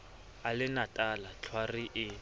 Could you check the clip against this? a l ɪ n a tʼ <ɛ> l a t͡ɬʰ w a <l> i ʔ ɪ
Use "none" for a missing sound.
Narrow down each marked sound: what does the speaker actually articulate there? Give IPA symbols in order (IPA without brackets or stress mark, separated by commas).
a, r